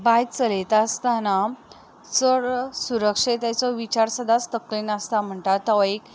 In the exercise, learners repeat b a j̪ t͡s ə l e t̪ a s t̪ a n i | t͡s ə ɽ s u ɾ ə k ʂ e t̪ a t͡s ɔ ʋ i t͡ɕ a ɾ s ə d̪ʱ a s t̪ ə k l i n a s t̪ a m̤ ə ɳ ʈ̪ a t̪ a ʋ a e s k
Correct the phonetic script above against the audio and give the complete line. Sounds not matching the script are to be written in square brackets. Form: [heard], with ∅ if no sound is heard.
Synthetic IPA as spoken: b a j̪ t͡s ə l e t̪ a s t̪ a n [a] | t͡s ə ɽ s u ɾ ə k ʂ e t̪ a t͡s ɔ ʋ i t͡ɕ a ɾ s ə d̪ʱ a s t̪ ə k l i n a s t̪ a m̤ ə ɳ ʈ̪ a t̪ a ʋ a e [∅] k